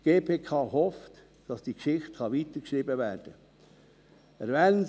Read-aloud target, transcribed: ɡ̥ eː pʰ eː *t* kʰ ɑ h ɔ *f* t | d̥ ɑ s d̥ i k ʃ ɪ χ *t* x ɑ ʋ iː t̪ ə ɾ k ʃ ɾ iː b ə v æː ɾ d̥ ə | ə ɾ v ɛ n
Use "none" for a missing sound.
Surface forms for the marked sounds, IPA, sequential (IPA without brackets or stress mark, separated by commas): none, f, t